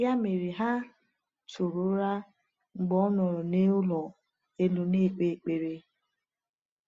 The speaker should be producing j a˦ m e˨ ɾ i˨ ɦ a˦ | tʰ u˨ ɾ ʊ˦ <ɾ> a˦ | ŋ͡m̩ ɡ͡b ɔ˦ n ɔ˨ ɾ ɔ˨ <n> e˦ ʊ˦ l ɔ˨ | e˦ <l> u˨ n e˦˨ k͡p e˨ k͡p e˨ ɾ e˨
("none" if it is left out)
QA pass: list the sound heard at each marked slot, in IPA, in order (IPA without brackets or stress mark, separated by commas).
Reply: ɾ, n, l